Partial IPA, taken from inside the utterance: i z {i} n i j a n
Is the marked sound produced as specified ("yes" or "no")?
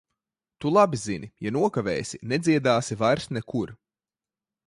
yes